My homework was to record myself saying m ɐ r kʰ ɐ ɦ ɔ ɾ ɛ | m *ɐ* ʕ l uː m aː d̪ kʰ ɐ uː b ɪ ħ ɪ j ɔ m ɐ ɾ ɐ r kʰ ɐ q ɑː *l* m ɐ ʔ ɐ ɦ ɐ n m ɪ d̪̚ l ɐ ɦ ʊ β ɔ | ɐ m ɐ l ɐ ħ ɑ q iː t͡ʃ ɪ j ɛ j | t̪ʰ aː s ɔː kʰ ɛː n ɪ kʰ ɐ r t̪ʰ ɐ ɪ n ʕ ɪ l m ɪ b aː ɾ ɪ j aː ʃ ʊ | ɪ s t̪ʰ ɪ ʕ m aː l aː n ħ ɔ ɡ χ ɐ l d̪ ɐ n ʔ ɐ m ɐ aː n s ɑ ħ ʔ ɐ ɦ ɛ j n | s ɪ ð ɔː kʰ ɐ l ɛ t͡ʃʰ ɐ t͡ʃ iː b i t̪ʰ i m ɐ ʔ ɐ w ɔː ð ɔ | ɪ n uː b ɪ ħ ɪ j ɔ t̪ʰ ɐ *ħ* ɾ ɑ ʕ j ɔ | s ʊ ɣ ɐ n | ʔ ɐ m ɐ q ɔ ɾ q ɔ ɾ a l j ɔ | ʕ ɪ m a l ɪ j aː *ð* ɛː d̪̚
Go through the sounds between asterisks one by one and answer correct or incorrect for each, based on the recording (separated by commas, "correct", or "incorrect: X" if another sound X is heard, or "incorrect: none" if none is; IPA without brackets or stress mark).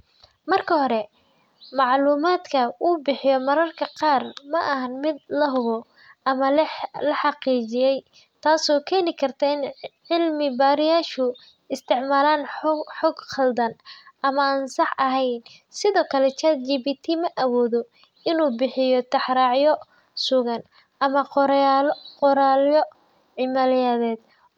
incorrect: ɑ, incorrect: r, correct, correct